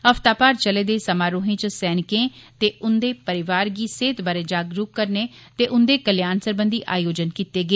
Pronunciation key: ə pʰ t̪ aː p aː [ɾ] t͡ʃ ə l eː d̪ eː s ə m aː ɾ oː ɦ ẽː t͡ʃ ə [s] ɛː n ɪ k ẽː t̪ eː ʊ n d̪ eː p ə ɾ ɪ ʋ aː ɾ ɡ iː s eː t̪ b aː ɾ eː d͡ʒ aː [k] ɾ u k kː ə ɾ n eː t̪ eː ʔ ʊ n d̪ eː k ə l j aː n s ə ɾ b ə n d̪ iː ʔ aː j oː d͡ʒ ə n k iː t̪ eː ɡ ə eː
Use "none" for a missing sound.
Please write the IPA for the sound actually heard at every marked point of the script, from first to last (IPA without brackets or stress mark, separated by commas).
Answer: ɾ, s, ɡ